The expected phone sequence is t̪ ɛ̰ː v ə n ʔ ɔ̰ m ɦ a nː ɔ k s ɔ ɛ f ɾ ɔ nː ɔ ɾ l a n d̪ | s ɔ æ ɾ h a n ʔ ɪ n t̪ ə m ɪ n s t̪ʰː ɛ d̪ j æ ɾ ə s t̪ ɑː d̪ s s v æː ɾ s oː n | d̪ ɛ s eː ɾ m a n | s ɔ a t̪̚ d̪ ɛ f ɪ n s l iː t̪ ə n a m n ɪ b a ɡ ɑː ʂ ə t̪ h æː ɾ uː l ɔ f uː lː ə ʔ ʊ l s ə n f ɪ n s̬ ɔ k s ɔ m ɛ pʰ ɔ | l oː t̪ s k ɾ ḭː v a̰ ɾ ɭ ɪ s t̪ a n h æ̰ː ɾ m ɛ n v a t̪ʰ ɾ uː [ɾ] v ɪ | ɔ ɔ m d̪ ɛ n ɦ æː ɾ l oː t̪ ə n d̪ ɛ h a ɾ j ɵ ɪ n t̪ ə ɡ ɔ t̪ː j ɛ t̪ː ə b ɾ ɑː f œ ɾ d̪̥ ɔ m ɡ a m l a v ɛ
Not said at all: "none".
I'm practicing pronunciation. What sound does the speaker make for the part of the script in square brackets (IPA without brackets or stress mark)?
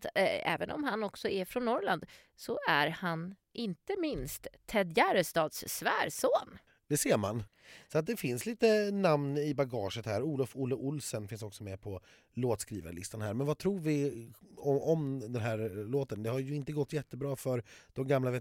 ɾ